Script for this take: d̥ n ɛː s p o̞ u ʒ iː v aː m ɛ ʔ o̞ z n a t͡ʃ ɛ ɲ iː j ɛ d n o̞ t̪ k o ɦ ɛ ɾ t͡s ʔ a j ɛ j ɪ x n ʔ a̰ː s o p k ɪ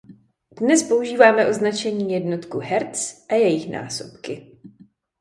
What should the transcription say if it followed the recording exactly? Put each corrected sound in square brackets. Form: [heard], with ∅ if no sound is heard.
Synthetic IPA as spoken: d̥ n [ɛ] s p o̞ u ʒ iː v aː m ɛ ʔ o̞ z n a t͡ʃ ɛ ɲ iː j ɛ d n o̞ t̪ k [u] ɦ ɛ ɾ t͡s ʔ a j ɛ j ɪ x n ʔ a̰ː s o p k ɪ